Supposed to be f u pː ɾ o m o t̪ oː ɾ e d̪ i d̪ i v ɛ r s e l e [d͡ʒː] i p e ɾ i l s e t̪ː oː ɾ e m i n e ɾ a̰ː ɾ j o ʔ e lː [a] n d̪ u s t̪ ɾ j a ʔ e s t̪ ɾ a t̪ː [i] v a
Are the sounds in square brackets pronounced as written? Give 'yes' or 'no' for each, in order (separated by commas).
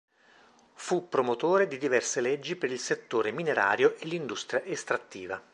yes, no, no